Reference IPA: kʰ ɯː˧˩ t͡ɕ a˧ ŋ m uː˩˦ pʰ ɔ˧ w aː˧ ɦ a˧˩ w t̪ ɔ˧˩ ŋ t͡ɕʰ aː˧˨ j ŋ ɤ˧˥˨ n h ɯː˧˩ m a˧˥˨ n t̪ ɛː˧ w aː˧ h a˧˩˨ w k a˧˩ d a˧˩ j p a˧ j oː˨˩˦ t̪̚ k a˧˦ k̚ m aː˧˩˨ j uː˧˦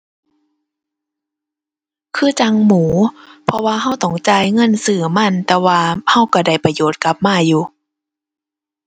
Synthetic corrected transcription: kʰ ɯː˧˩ t͡ɕ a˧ ŋ m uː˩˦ pʰ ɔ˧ w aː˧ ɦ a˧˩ w t̪ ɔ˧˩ ŋ t͡ɕ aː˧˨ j ŋ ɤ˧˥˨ n s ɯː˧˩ m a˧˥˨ n t̪ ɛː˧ w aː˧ h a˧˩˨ w k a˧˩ d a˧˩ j p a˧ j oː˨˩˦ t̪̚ k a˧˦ p̚ m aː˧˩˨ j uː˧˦

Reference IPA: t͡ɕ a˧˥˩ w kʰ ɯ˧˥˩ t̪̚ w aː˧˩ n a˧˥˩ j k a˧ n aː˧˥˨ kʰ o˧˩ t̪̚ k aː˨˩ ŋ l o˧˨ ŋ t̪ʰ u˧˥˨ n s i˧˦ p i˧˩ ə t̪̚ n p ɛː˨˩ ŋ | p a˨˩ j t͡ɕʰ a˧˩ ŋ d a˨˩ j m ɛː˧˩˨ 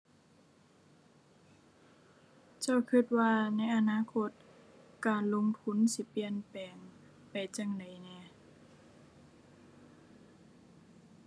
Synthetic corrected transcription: t͡ɕ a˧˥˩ w kʰ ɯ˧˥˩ t̪̚ w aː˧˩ n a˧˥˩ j ʔ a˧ n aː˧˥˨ kʰ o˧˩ t̪̚ k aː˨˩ n l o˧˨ ŋ t̪ʰ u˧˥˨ n s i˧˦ p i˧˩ ə n p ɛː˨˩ ŋ | p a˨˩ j t͡ɕ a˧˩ ŋ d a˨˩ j n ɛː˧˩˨

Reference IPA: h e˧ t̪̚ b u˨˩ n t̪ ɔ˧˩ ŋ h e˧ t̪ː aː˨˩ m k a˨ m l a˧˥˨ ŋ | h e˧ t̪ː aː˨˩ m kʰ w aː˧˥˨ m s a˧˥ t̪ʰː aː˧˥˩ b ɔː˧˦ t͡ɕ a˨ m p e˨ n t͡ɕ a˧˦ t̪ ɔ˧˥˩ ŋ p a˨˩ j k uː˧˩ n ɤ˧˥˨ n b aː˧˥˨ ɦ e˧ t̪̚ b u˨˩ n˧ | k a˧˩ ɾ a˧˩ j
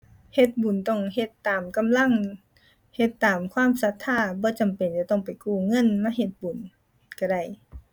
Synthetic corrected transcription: h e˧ t̪̚ b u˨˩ n t̪ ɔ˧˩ ŋ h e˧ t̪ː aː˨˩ m k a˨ m l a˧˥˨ ŋ | h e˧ t̪ː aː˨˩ m kʰ w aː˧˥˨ m s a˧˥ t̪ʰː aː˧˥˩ b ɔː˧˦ t͡ɕ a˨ m p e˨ n t͡ɕ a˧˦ t̪ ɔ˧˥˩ ŋ p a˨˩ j k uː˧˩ ŋ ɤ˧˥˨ n m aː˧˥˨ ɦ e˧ t̪̚ b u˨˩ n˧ | k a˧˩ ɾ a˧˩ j

